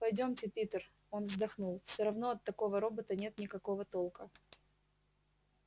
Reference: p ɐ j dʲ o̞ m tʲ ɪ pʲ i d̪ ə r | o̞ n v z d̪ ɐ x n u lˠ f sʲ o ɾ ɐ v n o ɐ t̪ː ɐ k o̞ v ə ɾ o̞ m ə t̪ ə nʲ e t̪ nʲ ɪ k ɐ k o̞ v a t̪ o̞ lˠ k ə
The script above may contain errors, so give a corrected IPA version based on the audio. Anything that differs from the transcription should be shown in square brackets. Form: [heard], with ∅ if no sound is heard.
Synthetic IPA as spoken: p ɐ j dʲ o̞ m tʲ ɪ pʲ i [t̪] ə r | o̞ n v z d̪ ɐ x n u lˠ f sʲ o ɾ ɐ v n o ɐ t̪ː ɐ k o̞ v ə ɾ o̞ [b] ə t̪ ə nʲ e t̪ nʲ ɪ k ɐ k o̞ v [ə] t̪ o̞ lˠ k ə